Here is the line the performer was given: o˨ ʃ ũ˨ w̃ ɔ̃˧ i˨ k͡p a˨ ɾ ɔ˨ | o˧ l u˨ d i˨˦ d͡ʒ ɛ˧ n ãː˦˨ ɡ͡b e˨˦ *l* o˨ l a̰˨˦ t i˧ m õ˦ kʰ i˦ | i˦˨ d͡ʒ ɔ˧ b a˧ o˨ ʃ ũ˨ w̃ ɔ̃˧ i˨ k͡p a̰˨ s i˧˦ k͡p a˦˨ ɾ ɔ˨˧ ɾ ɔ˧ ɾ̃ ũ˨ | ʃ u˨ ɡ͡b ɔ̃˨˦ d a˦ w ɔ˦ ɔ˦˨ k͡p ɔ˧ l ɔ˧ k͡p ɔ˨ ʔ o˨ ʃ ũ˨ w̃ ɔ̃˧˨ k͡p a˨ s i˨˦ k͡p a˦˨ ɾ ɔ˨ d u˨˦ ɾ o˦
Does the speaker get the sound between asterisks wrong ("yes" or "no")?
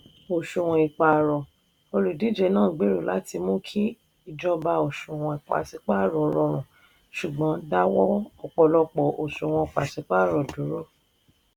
yes